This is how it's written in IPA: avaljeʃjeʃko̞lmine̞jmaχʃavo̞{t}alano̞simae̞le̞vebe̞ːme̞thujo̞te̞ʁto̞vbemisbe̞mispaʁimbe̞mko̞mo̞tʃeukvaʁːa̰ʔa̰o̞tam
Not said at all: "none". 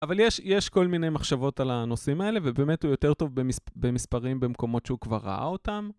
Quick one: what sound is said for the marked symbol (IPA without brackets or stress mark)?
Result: t